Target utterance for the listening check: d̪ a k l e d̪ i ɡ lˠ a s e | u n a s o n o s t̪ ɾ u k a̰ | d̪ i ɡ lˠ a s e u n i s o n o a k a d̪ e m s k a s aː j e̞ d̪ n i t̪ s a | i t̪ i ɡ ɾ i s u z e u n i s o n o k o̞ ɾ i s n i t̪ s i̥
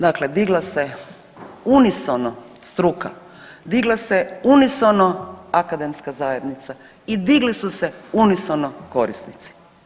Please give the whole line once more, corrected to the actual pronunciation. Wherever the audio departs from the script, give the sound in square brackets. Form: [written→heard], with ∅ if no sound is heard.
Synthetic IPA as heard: d̪ a k l e d̪ i ɡ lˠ a s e | u n [a→i] s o n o s t̪ ɾ u k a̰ | d̪ i ɡ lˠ a s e u n i s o n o a k a d̪ e m s k a [s→z] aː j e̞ d̪ n i t̪ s a | i [t̪→d̪] i ɡ [ɾ→l] i s u [z→s] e u n i s o n o k o̞ ɾ i s n i t̪ s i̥